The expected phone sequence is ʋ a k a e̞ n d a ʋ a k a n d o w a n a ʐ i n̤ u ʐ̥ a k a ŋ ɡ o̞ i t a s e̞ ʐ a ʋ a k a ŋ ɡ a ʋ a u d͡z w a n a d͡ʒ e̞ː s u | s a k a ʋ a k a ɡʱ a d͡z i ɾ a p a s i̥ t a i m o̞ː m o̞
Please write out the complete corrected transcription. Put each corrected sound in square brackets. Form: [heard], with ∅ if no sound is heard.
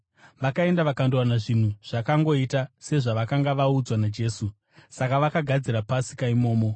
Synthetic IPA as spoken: ʋ a k a e̞ n d a ʋ a k a n d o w a n a ʐ i n̤ u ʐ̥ a k a ŋ ɡ o̞ i t a s e̞ ʐ a ʋ a k a ŋ ɡ a ʋ a u d͡z w a n a d͡ʒ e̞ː s u | s a k a ʋ a k a ɡʱ a d͡z i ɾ a p a s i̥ [k] a i m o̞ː m o̞